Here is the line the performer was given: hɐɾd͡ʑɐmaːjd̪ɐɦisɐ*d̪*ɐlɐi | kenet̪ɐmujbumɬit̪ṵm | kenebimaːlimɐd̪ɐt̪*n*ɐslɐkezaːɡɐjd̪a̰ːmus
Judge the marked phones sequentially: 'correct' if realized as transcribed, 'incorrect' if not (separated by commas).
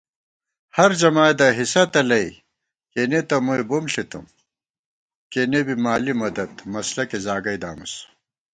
incorrect, incorrect